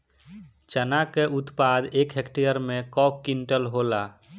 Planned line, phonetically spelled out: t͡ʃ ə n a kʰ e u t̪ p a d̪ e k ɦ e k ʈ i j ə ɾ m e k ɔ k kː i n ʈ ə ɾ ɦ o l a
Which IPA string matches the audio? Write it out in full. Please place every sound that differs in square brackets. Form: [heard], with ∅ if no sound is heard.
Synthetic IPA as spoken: t͡ʃ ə n a [k] e u t̪ p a d̪ e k ɦ e k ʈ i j ə ɾ m e k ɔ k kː i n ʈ ə [l] ɦ o l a